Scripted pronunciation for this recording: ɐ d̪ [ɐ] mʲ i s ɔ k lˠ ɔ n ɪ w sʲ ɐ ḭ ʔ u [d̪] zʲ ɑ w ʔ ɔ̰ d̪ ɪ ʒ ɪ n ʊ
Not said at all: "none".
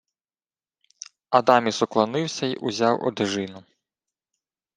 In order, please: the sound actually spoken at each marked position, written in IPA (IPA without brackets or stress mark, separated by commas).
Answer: ɑ, none